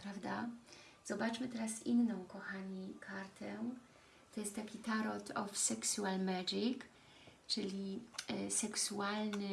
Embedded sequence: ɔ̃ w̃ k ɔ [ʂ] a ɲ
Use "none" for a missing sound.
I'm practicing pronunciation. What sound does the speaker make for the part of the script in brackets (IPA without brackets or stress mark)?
x